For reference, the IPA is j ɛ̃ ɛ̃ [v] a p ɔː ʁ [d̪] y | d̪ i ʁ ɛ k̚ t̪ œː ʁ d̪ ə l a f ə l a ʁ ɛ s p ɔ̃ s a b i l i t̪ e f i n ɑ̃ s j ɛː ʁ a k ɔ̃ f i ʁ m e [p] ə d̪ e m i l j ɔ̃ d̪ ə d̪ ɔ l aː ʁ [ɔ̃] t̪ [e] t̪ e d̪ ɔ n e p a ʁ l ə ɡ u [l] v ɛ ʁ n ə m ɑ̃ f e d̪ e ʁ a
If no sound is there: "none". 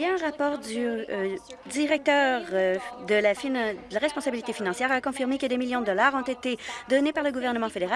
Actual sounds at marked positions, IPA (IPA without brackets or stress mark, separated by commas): ʁ, d̪, k, ɔ̃, e, none